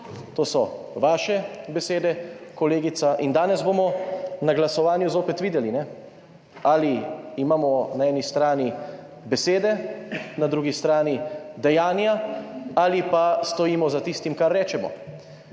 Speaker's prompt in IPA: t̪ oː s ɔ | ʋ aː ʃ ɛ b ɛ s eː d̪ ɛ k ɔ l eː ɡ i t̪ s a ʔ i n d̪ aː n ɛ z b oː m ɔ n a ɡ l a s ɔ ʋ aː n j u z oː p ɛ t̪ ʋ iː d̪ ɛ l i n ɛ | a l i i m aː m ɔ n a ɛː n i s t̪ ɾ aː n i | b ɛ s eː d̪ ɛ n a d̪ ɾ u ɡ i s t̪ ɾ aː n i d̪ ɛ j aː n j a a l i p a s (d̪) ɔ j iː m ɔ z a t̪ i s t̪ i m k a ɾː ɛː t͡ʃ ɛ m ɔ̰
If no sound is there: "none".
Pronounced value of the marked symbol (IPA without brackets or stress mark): t̪